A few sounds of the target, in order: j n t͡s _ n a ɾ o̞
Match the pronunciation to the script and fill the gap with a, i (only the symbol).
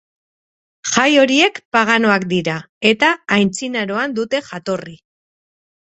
i